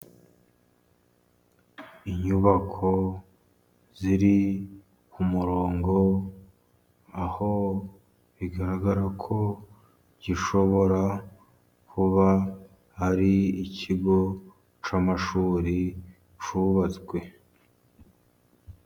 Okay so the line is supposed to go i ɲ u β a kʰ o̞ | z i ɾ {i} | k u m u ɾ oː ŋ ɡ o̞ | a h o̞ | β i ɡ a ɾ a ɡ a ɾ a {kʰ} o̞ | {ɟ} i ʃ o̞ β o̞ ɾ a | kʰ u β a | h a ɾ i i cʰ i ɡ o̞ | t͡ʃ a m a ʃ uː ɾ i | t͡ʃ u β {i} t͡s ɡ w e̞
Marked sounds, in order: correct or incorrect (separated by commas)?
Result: correct, correct, correct, incorrect